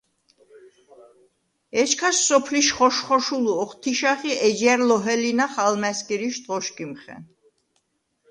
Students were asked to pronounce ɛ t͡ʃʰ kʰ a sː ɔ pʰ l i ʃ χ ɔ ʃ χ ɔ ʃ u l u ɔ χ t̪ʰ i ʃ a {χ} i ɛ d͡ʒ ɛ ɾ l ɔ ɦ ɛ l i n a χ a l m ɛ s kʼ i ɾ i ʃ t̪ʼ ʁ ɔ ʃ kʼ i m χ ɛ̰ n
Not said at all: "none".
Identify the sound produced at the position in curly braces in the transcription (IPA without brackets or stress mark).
χ